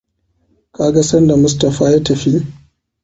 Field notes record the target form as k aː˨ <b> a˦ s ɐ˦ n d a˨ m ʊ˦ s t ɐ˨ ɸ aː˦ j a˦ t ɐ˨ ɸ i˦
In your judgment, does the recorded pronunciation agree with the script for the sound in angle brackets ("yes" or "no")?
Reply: no